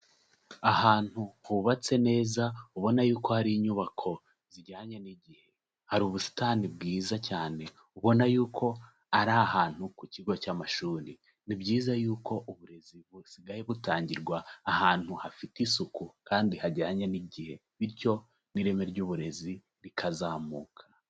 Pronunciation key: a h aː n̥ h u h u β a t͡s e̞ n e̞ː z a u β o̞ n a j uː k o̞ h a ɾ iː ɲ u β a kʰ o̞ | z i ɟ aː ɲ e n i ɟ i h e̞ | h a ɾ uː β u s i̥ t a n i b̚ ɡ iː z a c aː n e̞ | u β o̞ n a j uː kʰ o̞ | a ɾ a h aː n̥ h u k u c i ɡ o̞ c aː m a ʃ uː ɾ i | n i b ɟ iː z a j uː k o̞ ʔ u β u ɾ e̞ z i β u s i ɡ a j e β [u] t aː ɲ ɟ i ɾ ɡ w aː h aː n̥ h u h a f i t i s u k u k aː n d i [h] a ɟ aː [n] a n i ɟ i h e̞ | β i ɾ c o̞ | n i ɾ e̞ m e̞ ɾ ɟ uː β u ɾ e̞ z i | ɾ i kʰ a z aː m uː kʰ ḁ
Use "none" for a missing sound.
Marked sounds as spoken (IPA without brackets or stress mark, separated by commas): u, h, ɲ